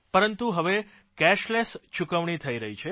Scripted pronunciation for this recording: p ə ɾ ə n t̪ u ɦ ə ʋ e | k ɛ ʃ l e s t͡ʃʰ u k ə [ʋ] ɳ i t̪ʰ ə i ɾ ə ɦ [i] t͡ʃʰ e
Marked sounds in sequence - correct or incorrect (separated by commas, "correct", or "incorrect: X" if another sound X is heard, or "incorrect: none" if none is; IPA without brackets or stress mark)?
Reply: correct, correct